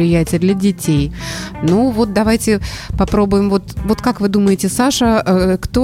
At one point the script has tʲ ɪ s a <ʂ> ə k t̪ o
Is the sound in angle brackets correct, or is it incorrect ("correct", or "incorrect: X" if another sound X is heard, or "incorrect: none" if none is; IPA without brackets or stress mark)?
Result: correct